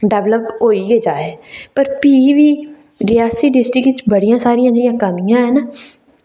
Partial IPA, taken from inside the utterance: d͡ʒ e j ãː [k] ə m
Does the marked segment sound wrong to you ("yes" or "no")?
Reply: no